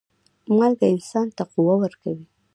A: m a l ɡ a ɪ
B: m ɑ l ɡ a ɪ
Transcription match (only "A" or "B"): A